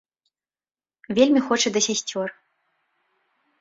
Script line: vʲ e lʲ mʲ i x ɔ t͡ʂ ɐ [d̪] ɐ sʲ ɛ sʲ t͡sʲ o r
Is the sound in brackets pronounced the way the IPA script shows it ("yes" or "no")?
yes